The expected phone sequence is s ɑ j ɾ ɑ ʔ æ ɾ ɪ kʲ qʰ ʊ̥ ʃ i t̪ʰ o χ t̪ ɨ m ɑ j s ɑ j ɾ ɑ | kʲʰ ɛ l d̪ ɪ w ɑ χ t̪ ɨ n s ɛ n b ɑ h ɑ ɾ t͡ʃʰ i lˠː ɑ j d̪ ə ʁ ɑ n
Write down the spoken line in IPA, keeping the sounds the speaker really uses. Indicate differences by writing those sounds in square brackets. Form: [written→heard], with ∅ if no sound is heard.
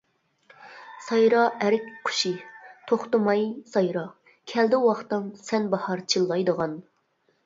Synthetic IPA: s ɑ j ɾ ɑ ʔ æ ɾ ɪ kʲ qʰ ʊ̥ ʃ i t̪ʰ o χ t̪ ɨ m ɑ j s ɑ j ɾ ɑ | kʲʰ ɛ l d̪ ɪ w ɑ χ t̪ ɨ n s ɛ n b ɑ h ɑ ɾ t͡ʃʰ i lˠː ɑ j d̪ ə ʁ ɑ n